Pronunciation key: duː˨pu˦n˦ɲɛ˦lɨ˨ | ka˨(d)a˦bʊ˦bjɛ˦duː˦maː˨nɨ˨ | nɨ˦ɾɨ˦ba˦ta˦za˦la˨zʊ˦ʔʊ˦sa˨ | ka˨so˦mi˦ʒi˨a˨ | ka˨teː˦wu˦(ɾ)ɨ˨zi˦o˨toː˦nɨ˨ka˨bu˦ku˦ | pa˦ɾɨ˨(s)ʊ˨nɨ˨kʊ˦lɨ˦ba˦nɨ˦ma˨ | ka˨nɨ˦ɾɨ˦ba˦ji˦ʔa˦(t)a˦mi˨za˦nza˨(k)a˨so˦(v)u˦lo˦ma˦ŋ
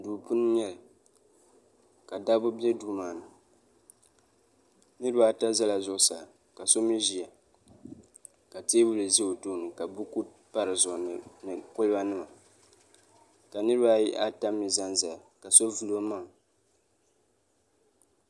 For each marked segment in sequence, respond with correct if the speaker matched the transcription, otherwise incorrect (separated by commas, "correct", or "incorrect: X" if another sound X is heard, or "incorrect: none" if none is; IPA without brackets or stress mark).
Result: correct, incorrect: l, incorrect: z, correct, correct, correct